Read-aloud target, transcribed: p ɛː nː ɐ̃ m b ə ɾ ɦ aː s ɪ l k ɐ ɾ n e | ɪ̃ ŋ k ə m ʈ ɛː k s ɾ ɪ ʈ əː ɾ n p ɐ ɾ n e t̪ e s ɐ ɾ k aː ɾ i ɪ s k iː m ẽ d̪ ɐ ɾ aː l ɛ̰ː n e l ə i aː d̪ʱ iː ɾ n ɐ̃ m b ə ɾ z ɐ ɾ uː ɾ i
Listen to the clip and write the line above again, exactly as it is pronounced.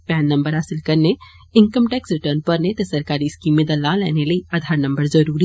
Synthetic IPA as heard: p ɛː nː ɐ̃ m b ə ɾ ɦ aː s ɪ l k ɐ ɾ n e | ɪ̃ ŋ k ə m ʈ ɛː k s ɾ ɪ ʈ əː ɾ n p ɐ ɾ n e t̪ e s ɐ ɾ k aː ɾ i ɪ s k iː m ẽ d̪ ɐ l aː l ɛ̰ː n e l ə i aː d̪ʱ aː ɾ n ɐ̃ m b ə ɾ z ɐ ɾ uː ɾ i